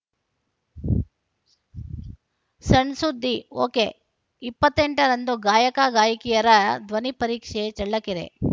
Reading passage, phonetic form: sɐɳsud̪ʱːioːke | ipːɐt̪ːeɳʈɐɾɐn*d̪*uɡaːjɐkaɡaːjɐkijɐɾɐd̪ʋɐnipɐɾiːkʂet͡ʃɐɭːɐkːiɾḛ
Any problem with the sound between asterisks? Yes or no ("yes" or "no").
no